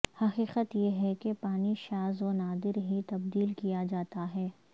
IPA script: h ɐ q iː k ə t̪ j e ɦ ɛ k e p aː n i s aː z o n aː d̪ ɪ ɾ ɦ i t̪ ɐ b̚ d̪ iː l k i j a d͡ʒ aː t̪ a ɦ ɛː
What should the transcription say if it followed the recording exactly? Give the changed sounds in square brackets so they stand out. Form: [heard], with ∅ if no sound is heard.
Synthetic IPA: h ɐ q iː [q] ə t̪ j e ɦ ɛ k e p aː n i [ʃ] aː z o n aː d̪ ɪ ɾ ɦ i t̪ ɐ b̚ d̪ iː l k i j a d͡ʒ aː t̪ a ɦ ɛː